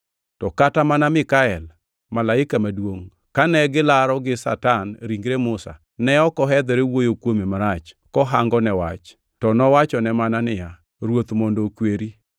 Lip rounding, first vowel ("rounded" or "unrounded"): rounded